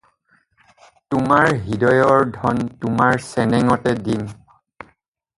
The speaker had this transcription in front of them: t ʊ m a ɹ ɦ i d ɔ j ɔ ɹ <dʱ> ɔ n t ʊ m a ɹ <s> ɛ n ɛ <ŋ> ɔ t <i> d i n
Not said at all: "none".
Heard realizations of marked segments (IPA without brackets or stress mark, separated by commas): dʱ, s, ŋ, ɛ